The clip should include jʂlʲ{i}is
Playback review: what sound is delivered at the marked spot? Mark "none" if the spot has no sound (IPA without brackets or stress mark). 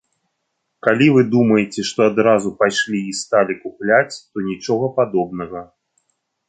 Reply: i